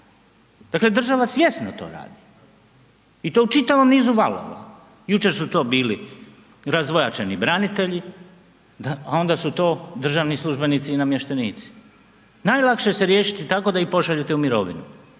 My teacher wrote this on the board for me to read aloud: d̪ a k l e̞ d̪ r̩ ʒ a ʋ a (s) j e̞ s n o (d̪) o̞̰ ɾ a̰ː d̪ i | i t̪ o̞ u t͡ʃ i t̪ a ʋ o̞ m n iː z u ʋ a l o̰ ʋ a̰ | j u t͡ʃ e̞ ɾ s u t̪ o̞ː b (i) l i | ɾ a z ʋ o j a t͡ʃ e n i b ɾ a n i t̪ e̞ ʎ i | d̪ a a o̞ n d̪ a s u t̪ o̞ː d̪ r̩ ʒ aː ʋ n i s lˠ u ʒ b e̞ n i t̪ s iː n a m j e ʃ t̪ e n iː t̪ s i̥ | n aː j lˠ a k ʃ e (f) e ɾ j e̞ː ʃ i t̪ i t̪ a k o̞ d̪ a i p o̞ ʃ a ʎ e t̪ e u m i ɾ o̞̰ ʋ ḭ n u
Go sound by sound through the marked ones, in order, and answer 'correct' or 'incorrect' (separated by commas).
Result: correct, incorrect, incorrect, incorrect